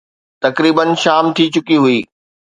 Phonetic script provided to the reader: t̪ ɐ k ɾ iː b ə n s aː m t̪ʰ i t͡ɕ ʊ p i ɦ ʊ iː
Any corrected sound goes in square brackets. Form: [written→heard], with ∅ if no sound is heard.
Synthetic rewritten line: t̪ ɐ k ɾ iː b ə n [s→ʃ] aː m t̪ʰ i t͡ɕ ʊ [p→k] i ɦ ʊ iː